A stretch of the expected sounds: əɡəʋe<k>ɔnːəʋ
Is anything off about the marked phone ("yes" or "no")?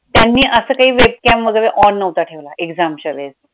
yes